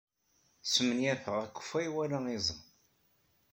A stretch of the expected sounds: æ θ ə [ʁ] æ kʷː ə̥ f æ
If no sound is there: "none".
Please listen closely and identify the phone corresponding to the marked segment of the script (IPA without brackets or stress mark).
ʁ